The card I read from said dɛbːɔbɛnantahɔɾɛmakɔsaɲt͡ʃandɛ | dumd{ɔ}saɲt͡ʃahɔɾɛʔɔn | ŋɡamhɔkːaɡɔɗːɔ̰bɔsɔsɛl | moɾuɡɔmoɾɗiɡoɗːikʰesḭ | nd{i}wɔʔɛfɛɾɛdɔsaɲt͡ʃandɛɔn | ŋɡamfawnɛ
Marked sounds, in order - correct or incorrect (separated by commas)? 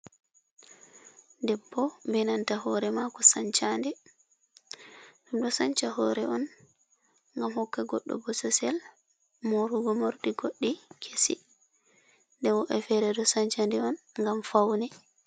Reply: correct, incorrect